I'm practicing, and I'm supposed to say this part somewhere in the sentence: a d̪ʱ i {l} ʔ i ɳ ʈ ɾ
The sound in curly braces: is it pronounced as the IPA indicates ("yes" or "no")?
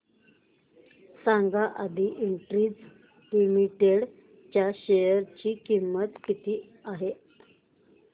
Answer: no